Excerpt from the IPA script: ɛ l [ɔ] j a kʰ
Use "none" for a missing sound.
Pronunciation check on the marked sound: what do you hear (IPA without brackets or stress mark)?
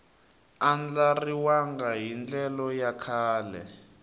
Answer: ɔ